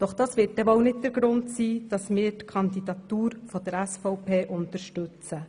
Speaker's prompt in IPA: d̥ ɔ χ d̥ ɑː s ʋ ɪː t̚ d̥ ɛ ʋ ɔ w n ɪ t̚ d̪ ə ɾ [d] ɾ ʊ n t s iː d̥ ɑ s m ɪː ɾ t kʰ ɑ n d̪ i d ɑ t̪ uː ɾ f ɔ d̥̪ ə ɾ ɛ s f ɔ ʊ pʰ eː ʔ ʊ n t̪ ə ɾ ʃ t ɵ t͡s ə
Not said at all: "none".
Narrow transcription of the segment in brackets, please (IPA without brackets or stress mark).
ɡ